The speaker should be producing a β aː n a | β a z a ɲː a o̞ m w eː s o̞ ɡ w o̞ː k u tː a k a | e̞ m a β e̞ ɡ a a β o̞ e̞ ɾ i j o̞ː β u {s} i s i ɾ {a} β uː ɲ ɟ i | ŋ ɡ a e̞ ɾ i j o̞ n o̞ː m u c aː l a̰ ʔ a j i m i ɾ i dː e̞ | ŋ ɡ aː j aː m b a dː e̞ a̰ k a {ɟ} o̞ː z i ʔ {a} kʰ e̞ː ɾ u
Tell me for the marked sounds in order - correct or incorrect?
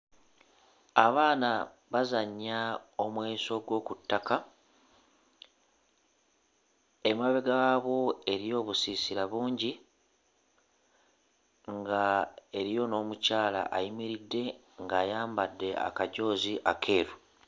correct, correct, correct, correct

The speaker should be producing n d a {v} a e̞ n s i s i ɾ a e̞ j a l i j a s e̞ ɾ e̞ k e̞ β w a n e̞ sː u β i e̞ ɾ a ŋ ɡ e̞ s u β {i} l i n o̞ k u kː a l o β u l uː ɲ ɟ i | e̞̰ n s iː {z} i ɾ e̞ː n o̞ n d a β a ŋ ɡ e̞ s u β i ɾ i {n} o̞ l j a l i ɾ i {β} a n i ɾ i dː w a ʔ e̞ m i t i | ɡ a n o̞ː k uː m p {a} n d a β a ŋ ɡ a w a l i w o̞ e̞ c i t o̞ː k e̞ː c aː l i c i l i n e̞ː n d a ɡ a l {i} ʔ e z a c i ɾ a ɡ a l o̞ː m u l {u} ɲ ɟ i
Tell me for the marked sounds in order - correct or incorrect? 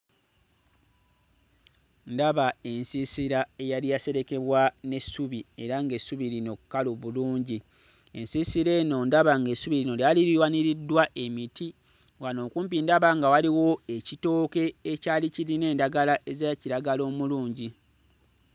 incorrect, correct, incorrect, correct, incorrect, incorrect, incorrect, incorrect

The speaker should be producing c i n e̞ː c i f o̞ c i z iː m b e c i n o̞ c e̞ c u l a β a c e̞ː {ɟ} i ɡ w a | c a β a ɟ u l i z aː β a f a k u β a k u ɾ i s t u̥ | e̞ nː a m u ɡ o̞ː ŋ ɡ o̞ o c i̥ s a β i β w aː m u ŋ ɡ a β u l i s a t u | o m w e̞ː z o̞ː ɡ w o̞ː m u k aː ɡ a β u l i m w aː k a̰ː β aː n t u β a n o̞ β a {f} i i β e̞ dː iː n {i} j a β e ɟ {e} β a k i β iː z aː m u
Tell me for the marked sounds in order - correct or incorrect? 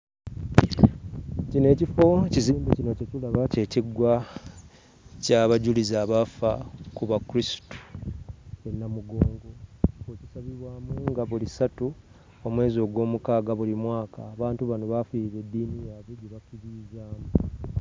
incorrect, correct, correct, correct

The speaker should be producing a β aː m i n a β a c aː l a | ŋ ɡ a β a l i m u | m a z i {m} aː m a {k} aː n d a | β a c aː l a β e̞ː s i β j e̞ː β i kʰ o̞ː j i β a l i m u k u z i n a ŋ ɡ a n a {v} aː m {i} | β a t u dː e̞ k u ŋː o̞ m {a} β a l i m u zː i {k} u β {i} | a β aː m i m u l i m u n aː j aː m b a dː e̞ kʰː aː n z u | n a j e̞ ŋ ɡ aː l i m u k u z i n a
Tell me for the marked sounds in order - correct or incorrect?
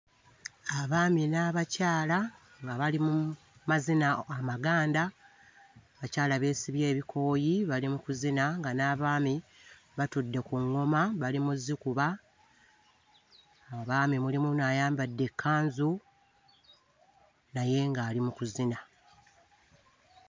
incorrect, incorrect, incorrect, correct, correct, correct, incorrect

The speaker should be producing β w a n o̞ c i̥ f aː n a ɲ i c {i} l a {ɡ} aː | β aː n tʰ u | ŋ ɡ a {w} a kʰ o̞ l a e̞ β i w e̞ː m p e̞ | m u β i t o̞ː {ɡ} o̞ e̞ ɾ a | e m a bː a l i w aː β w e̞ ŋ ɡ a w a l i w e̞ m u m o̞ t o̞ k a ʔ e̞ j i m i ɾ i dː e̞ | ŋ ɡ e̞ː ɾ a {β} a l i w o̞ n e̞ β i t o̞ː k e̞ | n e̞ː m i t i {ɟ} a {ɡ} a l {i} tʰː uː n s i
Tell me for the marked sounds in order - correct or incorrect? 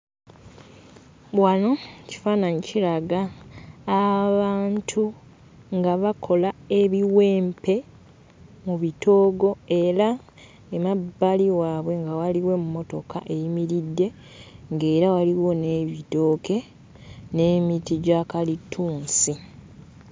correct, correct, incorrect, correct, incorrect, correct, incorrect, correct

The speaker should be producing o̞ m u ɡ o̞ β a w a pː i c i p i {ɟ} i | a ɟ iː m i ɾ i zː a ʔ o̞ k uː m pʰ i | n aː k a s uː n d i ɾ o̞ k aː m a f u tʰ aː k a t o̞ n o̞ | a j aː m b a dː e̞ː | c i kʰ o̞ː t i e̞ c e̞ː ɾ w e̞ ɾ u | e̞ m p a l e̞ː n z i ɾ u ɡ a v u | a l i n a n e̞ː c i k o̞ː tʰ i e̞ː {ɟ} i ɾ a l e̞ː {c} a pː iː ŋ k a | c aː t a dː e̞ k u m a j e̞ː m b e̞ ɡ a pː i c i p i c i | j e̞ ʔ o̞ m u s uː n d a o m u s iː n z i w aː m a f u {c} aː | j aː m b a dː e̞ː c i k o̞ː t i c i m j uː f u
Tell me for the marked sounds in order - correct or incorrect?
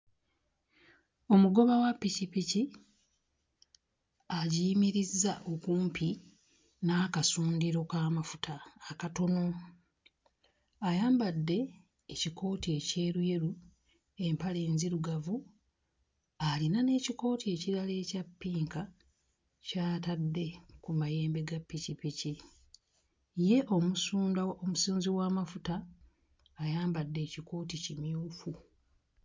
incorrect, incorrect, correct, incorrect

